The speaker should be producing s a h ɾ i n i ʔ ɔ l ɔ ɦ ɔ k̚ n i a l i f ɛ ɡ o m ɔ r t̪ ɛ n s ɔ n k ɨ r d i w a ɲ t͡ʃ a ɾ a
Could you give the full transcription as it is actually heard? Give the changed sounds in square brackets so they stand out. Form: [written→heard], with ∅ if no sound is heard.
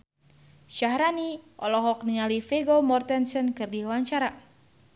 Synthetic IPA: [s→ʃ] a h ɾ [i→a] n i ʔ ɔ l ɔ ɦ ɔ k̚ n i a l i f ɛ ɡ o m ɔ r t̪ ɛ n s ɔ n k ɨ r d i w a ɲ t͡ʃ a ɾ a